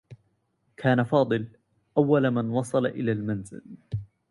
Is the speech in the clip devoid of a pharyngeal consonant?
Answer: yes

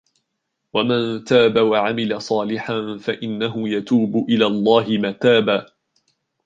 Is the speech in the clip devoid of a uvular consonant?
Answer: yes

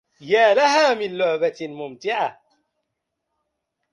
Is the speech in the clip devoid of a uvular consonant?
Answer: yes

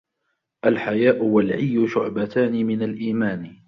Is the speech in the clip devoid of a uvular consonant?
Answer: yes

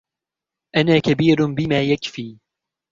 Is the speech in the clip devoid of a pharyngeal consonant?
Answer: yes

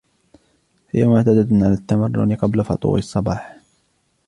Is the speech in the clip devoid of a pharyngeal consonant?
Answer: no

